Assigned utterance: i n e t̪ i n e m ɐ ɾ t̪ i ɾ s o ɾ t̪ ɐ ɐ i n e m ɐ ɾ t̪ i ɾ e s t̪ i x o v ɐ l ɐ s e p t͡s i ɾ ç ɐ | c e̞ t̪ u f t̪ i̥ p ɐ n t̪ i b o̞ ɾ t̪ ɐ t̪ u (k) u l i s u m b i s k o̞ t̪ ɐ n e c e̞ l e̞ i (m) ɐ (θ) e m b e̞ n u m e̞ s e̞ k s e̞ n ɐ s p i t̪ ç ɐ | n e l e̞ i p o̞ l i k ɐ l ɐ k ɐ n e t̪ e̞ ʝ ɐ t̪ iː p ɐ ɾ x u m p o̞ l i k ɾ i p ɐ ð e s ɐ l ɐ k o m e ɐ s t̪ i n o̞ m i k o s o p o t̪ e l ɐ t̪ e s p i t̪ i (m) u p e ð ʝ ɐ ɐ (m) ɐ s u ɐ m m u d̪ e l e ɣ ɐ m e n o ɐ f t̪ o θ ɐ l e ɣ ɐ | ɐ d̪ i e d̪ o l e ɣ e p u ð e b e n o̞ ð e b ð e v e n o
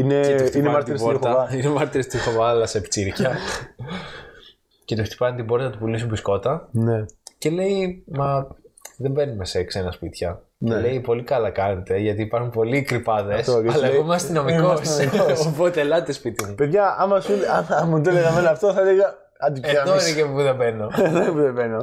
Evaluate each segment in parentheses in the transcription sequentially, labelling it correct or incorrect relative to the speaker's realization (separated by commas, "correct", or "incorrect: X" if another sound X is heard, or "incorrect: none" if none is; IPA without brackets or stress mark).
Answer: incorrect: p, correct, incorrect: ð, correct, correct